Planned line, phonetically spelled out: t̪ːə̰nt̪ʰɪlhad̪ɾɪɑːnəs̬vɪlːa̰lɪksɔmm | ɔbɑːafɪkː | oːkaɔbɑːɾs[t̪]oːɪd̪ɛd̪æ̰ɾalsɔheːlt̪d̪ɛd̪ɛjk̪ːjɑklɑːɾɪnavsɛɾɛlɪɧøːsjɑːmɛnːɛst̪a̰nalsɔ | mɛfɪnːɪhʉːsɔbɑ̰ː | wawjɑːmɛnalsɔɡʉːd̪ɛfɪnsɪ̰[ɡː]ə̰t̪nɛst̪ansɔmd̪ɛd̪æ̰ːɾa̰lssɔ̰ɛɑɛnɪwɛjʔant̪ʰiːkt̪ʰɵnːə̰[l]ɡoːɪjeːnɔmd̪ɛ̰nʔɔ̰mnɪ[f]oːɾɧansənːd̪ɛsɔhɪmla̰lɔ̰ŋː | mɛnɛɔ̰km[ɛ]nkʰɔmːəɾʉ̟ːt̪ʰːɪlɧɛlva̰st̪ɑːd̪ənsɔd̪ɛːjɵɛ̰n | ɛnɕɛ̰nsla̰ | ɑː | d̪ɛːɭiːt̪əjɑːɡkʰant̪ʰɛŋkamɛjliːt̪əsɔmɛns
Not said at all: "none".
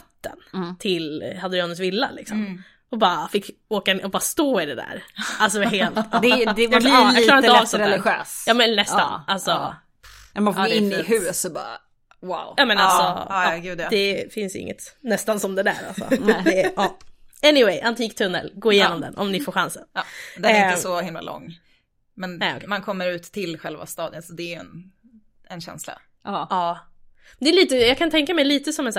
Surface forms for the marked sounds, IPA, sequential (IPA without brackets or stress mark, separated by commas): t̪, ŋː, l, f, a